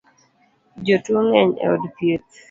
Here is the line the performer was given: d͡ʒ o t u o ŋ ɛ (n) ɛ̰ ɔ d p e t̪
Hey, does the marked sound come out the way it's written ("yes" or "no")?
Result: no